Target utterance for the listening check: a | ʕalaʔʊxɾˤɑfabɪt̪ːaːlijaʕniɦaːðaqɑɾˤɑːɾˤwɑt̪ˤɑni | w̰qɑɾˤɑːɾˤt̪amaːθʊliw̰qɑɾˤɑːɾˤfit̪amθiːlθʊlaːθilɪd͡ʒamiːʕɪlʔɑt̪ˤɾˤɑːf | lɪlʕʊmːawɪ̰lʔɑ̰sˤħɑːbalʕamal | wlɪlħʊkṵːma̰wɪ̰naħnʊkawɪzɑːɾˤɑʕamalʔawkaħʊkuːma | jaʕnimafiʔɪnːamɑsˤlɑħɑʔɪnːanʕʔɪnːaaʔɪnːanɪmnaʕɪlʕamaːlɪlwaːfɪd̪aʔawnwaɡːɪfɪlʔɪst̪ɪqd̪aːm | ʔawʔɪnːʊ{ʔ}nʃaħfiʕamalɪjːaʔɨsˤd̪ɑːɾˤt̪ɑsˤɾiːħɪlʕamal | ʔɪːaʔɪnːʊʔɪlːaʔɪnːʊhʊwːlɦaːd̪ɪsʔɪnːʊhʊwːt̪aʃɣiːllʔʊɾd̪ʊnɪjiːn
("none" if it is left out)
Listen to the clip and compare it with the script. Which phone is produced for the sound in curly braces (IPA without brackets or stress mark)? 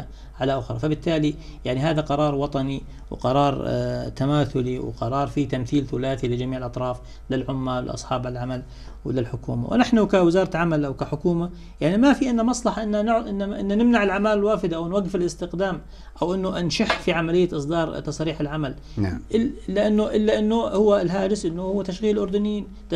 ʔ